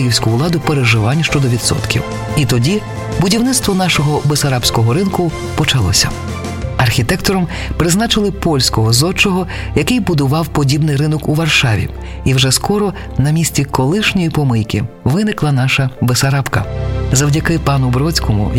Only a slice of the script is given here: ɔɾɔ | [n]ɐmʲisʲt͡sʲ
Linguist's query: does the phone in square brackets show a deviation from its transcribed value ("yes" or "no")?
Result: no